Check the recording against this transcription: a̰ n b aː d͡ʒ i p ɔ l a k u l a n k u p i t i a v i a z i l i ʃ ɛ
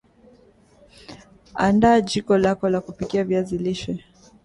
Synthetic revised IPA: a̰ n d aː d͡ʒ i k ɔ l a k ɔ l a k u p i k i a v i a z i l i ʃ ɛ